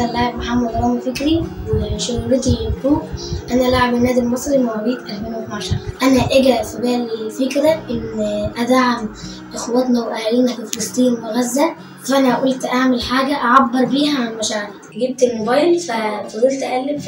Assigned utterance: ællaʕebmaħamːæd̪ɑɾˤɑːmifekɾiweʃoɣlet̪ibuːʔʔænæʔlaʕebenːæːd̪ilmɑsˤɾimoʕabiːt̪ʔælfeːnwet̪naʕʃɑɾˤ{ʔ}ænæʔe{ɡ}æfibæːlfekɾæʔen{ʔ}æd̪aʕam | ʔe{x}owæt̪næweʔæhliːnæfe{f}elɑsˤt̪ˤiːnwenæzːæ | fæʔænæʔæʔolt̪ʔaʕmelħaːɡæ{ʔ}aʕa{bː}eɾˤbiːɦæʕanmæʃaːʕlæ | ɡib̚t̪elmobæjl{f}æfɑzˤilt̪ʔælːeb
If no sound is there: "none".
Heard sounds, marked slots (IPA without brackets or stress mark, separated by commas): ʔ, ɡ, ʔ, x, f, ʔ, bː, f